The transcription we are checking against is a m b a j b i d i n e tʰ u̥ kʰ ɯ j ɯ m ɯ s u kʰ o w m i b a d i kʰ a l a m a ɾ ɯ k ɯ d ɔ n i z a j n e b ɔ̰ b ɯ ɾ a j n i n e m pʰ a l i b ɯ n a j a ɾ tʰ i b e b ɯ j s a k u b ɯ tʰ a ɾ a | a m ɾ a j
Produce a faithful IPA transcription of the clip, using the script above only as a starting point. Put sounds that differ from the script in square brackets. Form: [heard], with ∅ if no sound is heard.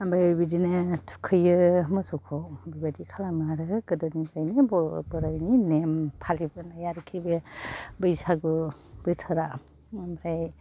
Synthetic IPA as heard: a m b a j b i d i n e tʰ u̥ kʰ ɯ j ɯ m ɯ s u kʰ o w [b] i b a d i kʰ a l a m a ɾ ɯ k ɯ d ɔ n i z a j n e b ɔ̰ b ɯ ɾ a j n i n e m pʰ a l i b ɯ n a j a ɾ [kʰ] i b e b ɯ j s a [ɡ] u b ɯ tʰ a ɾ a | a m ɾ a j

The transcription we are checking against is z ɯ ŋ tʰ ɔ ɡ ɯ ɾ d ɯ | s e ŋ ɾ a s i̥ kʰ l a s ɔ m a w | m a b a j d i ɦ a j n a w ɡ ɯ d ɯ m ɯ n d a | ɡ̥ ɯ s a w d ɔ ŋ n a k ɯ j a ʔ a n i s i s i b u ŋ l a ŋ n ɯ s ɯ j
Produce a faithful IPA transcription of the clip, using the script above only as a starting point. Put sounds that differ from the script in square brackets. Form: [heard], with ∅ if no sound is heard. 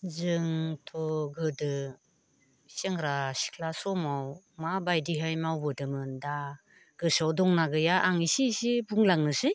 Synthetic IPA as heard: z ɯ ŋ tʰ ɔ ɡ ɯ [∅] d ɯ | s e ŋ ɾ a s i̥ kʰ l a s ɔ m a w | m a b a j d i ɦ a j [m] a w [b] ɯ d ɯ m ɯ n d a | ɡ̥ ɯ s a w d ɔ ŋ n a [ɡ] ɯ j a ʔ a [ŋ] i s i s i b u ŋ l a ŋ n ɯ s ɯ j

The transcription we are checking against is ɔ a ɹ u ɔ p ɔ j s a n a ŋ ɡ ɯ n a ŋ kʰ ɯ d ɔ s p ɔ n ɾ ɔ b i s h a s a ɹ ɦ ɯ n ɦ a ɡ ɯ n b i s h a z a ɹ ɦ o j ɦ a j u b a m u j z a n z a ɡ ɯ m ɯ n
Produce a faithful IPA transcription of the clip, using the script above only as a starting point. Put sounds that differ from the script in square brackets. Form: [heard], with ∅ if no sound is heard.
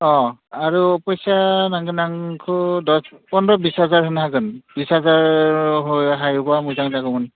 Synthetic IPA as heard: ɔ a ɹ u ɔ p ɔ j s a n a ŋ ɡ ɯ n a ŋ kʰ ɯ d ɔ s p ɔ n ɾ ɔ b i s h a [z] a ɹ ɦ ɯ n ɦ a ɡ ɯ n b i s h a z a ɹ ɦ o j ɦ a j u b a m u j z a [ŋ] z a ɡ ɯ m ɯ n

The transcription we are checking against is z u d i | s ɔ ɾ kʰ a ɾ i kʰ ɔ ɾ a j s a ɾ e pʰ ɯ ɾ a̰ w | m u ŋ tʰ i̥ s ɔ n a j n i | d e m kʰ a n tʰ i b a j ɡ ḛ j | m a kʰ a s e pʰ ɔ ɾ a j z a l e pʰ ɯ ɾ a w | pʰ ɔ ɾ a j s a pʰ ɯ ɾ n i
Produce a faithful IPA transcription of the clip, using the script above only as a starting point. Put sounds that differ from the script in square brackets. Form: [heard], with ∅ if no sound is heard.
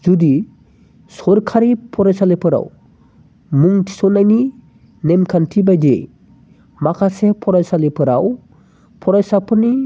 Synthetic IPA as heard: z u d i | s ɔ ɾ kʰ a ɾ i [pʰ] ɔ ɾ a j s a [l] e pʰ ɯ ɾ a̰ w | m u ŋ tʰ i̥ s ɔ n a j n i | [n] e m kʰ a n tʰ i b a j [d] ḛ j | m a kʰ a s e pʰ ɔ ɾ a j [s] a l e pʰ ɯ ɾ a w | pʰ ɔ ɾ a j s a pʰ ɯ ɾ n i

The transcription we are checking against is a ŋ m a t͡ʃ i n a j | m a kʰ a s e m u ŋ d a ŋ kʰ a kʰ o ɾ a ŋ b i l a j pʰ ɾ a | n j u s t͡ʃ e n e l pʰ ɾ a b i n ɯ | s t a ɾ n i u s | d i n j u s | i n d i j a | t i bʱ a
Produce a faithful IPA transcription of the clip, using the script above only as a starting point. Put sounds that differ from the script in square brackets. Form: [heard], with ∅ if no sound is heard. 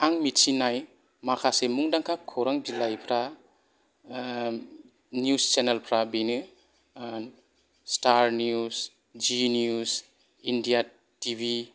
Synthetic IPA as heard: a ŋ m [i] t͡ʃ i n a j | m a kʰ a s e m u ŋ d a ŋ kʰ a kʰ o ɾ a ŋ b i l a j pʰ ɾ a | n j u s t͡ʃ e n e l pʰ ɾ a b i n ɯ | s t a ɾ n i u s | [d͡ʒ] i n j u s | i n d i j a | t i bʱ [i]

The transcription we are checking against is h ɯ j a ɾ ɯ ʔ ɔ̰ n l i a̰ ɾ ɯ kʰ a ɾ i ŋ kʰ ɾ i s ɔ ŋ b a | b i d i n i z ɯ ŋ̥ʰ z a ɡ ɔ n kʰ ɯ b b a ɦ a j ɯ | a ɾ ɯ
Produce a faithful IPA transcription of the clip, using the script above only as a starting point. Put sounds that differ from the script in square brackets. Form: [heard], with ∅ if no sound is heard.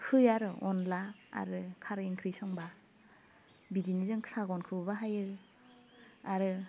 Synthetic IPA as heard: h ɯ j a ɾ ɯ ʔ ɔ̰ n l [a] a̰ ɾ ɯ kʰ a ɾ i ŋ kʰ ɾ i s ɔ ŋ b a | b i d i n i z ɯ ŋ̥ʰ [s] a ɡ ɔ n kʰ ɯ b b a ɦ a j ɯ | a ɾ ɯ

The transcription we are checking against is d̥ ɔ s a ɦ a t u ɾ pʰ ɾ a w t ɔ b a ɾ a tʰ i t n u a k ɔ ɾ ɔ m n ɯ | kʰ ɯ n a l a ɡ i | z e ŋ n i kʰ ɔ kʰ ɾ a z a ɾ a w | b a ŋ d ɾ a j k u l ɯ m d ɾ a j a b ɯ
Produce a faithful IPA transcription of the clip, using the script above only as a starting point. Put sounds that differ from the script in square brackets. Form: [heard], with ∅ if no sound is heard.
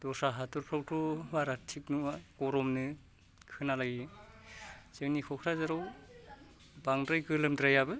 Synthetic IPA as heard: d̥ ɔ s a ɦ a t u ɾ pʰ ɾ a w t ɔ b a ɾ a tʰ i [k] n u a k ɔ ɾ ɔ m n ɯ | kʰ ɯ n a l a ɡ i | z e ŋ n i kʰ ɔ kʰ ɾ a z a ɾ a w | b a ŋ d ɾ a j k [ɯ] l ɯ m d ɾ a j a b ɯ

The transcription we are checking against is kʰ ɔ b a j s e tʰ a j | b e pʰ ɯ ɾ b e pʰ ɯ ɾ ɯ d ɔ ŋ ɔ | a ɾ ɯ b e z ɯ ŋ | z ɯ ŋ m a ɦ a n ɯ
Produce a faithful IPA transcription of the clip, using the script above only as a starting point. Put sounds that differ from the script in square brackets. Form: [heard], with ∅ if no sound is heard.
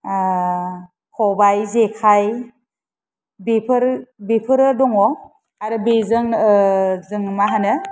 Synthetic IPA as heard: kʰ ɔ b a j [z] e [kʰ] a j | b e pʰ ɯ ɾ b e pʰ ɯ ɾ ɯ d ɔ ŋ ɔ | a ɾ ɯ b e z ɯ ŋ | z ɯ ŋ m a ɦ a n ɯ

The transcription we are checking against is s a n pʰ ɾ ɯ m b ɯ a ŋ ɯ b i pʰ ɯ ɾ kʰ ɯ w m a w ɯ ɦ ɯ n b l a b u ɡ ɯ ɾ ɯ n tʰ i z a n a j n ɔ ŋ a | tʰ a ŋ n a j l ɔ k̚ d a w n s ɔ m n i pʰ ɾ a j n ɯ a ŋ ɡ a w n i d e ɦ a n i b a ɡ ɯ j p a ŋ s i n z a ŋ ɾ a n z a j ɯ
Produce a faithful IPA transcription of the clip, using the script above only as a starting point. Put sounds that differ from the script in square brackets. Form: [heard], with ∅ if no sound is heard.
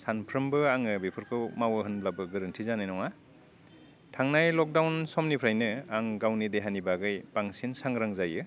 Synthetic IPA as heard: s a n pʰ ɾ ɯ m b ɯ a ŋ ɯ b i pʰ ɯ ɾ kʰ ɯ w m a w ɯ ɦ ɯ n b l a b [ɯ] ɡ ɯ ɾ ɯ n tʰ i z a n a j n ɔ ŋ a | tʰ a ŋ n a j l ɔ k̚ d a w n s ɔ m n i pʰ ɾ a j n ɯ a ŋ ɡ a w n i d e ɦ a n i b a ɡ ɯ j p a ŋ s i n [s] a ŋ ɾ a [ŋ] z a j ɯ

